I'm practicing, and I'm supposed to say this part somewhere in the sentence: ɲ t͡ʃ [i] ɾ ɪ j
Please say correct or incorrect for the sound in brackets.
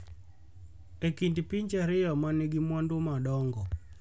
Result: incorrect